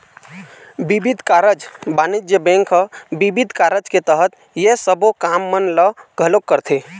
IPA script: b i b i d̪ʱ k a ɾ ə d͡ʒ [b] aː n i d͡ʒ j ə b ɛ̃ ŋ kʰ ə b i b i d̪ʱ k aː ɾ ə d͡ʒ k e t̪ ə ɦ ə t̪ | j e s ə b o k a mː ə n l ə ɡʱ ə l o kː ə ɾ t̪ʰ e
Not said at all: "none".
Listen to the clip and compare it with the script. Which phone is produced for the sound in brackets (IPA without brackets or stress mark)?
b